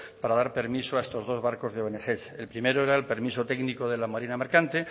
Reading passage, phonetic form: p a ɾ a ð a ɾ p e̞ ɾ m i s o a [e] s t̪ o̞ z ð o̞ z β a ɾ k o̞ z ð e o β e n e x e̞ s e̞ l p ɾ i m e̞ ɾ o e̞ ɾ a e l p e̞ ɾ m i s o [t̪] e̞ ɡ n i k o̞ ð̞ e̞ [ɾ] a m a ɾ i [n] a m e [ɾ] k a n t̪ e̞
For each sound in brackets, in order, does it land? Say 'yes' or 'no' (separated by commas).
yes, yes, no, yes, yes